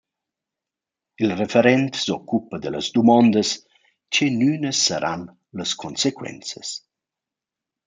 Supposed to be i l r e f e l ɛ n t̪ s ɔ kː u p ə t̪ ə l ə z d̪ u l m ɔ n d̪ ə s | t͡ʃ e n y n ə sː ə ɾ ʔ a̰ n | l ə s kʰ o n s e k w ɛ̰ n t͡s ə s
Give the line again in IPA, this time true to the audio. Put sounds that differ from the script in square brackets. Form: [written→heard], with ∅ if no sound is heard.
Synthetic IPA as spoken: i l r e f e [l→ɾ] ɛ n t̪ s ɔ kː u p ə [t̪→d̪] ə l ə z d̪ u [l→∅] m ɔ n d̪ ə s | t͡ʃ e n y n ə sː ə ɾ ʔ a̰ n | l ə s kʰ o n s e k w ɛ̰ n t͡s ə s